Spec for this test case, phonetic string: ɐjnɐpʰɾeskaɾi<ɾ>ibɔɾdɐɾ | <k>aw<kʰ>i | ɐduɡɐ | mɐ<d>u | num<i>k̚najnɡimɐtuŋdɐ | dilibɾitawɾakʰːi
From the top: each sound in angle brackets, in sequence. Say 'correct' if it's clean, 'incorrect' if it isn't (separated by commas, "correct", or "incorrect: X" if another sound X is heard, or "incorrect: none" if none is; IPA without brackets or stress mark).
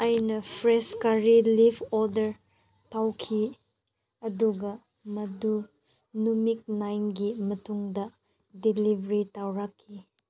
incorrect: l, incorrect: t, correct, correct, correct